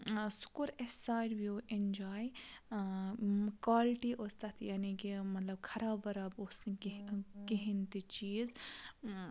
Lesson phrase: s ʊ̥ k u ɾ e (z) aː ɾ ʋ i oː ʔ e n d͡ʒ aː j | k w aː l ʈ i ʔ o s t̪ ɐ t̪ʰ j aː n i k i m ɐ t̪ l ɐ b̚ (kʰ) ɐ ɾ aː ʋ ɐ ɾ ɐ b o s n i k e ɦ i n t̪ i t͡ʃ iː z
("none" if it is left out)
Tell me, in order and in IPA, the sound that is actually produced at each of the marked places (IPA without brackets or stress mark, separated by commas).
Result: s, kʰ